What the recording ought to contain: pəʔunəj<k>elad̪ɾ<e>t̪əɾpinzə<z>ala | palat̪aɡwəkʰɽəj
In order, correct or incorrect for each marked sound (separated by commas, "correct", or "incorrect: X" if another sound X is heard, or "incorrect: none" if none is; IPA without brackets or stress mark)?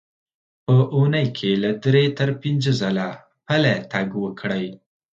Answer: incorrect: kʰ, correct, correct